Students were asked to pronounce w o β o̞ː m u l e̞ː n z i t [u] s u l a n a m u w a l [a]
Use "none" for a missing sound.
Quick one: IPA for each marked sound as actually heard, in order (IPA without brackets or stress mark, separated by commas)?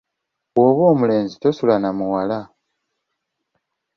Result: o, a